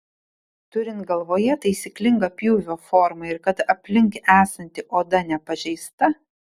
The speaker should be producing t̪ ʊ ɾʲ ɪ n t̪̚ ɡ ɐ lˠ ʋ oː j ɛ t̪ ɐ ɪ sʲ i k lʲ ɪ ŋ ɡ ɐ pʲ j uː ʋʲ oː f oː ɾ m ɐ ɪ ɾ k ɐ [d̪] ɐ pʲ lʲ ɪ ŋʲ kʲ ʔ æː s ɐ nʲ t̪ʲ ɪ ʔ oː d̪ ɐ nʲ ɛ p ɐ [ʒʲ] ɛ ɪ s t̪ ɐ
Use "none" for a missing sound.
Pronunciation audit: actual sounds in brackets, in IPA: t̪, ʒʲ

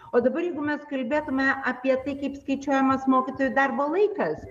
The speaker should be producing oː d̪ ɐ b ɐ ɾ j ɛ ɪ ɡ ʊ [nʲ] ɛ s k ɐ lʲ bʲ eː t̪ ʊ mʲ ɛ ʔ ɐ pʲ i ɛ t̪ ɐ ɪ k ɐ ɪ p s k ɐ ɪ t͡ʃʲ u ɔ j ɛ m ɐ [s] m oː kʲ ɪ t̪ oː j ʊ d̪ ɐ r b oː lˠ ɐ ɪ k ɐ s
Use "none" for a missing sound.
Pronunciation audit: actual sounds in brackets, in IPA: mʲ, s

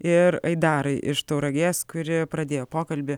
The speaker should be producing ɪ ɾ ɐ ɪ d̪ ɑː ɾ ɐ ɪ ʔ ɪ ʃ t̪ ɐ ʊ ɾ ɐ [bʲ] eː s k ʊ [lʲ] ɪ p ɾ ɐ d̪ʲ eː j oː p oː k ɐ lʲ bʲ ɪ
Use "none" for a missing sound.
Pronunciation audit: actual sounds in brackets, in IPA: ɡʲ, ɾʲ

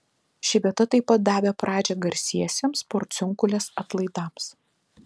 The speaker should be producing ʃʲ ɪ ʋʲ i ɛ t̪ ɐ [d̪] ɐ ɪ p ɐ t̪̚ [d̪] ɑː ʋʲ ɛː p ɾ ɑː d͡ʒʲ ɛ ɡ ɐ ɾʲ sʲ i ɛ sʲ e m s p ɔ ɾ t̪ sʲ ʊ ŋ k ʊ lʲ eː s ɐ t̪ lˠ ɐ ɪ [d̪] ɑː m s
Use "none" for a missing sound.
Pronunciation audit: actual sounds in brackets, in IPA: t̪, d̪, d̪

